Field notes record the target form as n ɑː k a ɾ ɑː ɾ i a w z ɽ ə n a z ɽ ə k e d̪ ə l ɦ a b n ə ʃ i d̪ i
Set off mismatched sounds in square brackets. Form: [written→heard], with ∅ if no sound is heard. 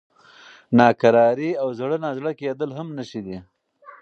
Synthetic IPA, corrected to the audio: n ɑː k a ɾ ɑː ɾ i a w z ɽ ə n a z ɽ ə k e d̪ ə l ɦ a [b→m] n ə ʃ i d̪ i